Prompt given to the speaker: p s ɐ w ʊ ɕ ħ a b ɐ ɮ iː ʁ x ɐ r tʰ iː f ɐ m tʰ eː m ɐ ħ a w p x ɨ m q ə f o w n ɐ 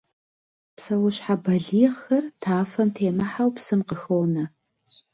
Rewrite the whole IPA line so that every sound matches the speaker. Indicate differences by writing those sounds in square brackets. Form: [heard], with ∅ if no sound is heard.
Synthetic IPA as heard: p s ɐ w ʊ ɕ ħ a b ɐ ɮ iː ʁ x ɐ r tʰ [aː] f ɐ m tʰ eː m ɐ ħ a w p [s] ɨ m q ə [x] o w n ɐ